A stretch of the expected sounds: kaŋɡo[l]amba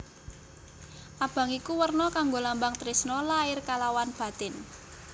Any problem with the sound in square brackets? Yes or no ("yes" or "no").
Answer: no